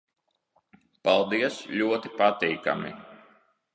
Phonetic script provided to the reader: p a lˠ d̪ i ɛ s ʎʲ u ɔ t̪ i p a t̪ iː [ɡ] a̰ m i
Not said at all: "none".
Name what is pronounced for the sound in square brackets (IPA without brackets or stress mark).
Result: k